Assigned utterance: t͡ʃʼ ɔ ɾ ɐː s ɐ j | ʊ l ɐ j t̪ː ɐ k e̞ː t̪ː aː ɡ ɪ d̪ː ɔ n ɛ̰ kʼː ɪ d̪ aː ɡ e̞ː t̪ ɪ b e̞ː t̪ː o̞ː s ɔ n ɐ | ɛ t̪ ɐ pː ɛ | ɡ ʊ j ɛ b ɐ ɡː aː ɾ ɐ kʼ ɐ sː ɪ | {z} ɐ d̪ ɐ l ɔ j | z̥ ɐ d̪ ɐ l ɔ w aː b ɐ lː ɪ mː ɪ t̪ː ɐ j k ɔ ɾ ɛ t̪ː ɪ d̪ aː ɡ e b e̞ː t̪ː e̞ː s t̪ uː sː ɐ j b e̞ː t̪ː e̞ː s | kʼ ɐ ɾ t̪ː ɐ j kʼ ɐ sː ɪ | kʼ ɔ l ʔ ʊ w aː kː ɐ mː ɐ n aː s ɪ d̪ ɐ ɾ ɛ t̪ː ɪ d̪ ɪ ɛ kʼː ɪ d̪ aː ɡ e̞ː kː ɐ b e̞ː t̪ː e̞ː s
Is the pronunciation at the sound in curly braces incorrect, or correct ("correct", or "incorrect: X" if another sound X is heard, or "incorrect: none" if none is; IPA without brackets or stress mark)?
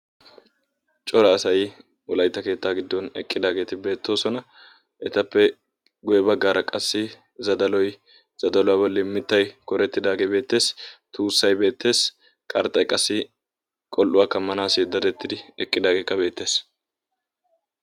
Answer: correct